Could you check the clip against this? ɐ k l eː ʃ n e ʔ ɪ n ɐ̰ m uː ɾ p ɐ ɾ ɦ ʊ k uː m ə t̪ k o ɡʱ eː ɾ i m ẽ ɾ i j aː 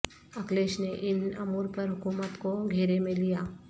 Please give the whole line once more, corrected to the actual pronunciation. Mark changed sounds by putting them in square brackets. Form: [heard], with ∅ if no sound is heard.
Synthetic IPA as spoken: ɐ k l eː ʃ n e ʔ ɪ n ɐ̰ m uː ɾ p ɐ ɾ ɦ ʊ k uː m ə t̪ k o ɡʱ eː ɾ [e] m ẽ [l] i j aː